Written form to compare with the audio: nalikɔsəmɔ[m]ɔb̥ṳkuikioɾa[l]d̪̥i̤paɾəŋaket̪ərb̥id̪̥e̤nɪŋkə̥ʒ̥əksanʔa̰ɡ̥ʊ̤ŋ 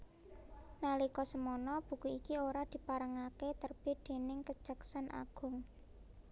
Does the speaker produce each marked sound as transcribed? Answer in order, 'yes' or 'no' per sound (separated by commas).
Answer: no, no